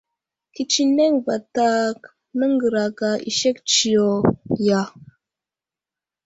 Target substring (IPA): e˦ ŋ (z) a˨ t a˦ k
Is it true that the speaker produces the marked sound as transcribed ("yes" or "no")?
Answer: no